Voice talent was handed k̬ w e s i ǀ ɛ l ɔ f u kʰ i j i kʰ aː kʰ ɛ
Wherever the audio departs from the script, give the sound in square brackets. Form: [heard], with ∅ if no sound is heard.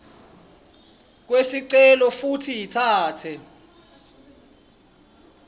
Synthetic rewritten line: k̬ w e s i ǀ ɛ l ɔ f u [tʰ] i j i [tʰ] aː [tʰ] ɛ